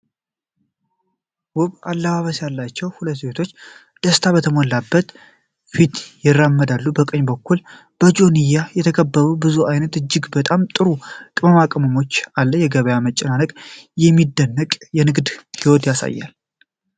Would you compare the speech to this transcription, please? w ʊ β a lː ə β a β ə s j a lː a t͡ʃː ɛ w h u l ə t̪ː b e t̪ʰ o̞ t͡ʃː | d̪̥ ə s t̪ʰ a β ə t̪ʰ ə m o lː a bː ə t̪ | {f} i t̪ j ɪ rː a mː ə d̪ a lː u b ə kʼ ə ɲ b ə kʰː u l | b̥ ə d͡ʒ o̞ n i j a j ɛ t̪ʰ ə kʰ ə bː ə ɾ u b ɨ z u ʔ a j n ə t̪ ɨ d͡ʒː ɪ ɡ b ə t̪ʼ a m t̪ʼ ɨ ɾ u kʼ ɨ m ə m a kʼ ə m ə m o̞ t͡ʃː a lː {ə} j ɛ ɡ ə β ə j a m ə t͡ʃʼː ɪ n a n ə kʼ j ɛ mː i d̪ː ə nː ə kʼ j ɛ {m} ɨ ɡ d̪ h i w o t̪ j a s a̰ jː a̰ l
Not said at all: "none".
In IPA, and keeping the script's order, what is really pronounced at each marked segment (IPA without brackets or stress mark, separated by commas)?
f, ə, n